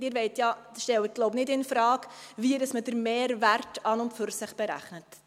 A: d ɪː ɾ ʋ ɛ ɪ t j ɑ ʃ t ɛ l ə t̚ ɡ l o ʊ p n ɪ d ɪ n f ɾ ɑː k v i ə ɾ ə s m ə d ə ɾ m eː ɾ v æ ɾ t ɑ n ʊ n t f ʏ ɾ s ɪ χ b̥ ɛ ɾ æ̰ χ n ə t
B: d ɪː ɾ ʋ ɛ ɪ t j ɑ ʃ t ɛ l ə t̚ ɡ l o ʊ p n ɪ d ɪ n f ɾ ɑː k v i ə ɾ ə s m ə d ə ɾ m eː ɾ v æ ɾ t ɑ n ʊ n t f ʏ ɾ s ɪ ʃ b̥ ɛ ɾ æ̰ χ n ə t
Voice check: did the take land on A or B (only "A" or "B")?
A